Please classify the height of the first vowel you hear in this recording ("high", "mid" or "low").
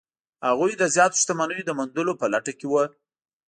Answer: low